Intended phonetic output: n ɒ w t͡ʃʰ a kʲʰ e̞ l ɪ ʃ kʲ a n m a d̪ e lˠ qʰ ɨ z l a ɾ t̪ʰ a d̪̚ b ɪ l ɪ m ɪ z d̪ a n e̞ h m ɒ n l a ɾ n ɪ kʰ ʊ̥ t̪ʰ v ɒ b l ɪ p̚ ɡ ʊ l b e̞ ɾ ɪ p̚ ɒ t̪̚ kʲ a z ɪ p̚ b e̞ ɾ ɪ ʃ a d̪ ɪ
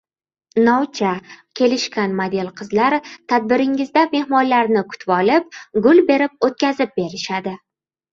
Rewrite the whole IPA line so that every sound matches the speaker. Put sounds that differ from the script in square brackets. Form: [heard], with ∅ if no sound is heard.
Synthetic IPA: n ɒ w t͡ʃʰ a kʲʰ e̞ l ɪ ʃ kʲ a n m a d̪ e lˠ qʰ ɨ z l a ɾ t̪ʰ a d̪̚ b ɪ [ɾ] ɪ [ŋ] ɪ z d̪ a [m] e̞ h m ɒ n l a ɾ n ɪ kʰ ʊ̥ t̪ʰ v ɒ [∅] l ɪ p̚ ɡ ʊ l b e̞ ɾ ɪ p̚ [o] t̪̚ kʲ a z ɪ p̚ b e̞ ɾ ɪ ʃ a d̪ ɪ